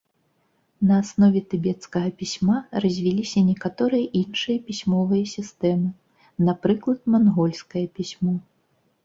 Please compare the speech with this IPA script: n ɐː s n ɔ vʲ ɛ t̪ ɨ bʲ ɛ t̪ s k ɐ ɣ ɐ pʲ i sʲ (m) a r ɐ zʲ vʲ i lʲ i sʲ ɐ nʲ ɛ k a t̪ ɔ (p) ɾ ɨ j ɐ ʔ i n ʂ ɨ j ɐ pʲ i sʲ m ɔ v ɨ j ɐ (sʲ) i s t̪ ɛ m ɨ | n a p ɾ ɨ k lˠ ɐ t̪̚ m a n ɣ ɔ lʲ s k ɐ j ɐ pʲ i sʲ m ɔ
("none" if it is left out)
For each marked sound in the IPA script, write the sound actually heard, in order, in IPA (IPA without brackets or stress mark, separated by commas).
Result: m, none, sʲ